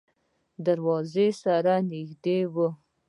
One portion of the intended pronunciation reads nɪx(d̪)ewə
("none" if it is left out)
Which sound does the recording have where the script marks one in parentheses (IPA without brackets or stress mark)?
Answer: d̪